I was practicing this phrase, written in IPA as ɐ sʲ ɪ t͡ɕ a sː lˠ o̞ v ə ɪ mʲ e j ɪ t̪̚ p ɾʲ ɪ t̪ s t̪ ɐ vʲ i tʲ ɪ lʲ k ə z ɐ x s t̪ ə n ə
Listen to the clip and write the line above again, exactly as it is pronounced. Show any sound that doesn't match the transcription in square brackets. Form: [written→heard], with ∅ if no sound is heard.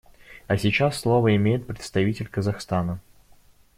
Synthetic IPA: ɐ sʲ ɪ t͡ɕ a sː lˠ o̞ v ə ɪ mʲ e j ɪ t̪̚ p ɾʲ ɪ t̪ s t̪ ɐ vʲ i tʲ ɪ lʲ k ə z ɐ x s t̪ [ə→a] n ə